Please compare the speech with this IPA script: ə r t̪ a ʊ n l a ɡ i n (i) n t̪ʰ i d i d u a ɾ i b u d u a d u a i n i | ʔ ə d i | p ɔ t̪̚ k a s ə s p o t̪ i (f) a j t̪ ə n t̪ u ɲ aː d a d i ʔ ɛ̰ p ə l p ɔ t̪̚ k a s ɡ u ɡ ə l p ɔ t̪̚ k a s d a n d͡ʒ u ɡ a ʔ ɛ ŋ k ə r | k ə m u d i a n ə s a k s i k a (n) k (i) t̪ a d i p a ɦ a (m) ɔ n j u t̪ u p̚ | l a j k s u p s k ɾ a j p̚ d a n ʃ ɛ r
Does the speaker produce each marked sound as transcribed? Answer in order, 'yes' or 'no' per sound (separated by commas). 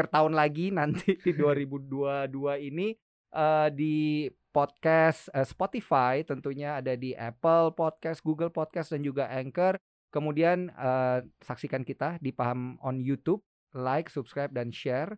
no, yes, yes, yes, yes